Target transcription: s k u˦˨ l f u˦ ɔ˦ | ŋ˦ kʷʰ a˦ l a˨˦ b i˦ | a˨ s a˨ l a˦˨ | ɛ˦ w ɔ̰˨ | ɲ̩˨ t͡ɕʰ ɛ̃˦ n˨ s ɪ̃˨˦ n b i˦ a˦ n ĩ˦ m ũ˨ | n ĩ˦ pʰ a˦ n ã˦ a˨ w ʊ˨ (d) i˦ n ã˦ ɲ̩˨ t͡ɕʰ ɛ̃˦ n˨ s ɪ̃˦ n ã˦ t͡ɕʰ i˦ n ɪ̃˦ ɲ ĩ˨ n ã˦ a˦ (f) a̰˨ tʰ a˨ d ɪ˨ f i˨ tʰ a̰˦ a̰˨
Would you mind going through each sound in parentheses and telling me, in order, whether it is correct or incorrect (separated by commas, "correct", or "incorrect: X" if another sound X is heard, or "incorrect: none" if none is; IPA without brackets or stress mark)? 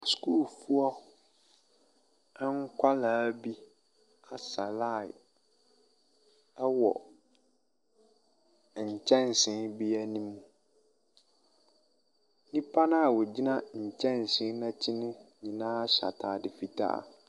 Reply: incorrect: d͡ʑ, incorrect: ɕ